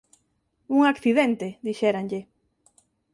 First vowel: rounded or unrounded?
rounded